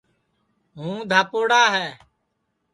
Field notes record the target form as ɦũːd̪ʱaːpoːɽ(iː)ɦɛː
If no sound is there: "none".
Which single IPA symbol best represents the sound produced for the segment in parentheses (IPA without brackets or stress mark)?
aː